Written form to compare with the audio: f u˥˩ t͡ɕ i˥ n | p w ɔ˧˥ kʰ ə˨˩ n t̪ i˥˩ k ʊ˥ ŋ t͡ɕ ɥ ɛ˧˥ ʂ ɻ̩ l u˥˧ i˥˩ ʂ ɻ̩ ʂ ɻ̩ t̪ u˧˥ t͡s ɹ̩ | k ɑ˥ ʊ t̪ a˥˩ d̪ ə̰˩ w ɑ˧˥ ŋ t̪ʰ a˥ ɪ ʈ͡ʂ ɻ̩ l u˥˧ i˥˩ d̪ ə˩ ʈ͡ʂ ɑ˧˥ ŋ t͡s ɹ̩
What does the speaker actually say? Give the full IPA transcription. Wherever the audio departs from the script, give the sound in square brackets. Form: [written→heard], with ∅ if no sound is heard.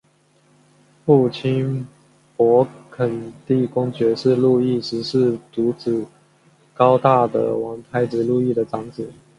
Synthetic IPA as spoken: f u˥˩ [t͡ɕ→t͡ɕʰ] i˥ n | p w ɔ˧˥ kʰ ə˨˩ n t̪ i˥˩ k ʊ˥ ŋ t͡ɕ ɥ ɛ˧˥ ʂ ɻ̩ l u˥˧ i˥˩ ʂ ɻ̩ ʂ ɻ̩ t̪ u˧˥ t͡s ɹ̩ | k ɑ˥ ʊ t̪ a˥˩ d̪ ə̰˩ w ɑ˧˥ ŋ t̪ʰ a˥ ɪ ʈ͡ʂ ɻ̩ l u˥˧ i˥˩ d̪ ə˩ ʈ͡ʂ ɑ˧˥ ŋ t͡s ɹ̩